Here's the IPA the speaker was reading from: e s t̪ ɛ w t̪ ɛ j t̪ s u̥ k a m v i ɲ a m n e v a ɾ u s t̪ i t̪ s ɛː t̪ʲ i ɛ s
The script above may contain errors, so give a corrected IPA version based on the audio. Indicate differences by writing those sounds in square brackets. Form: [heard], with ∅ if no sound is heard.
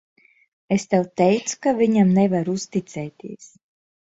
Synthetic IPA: e s t̪ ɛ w t̪ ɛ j t̪ s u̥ k a [∅] v i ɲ a m n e v a ɾ u s t̪ i t̪ s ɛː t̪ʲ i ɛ s